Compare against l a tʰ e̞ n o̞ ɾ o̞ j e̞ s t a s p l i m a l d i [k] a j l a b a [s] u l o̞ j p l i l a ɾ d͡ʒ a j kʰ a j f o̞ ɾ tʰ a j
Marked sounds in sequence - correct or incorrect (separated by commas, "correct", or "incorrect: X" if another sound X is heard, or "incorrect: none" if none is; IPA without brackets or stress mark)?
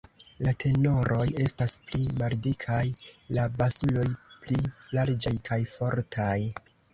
incorrect: kʰ, correct